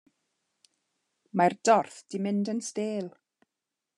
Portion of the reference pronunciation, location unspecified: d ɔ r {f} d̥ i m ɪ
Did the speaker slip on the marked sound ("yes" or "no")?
yes